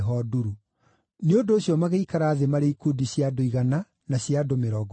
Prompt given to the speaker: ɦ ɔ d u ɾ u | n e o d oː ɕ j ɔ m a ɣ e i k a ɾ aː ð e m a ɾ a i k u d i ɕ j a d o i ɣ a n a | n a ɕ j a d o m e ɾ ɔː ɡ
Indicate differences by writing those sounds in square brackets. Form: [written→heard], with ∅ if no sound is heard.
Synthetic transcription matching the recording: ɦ ɔ d u ɾ u | n e o d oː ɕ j ɔ m a ɣ e i k a ɾ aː ð e m a ɾ [a→e] i k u d i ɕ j a d o i ɣ a n a | n a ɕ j a d o m e ɾ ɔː ɡ